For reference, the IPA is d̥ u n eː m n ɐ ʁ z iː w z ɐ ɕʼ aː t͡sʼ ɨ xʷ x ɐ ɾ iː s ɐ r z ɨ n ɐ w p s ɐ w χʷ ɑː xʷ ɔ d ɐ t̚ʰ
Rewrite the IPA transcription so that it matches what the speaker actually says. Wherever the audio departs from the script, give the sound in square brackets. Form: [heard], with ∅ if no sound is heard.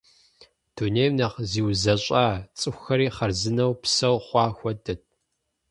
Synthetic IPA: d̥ u n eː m n ɐ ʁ z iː w z ɐ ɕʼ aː t͡sʼ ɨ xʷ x ɐ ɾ iː [χ] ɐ r z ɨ n ɐ w p s ɐ w χʷ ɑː xʷ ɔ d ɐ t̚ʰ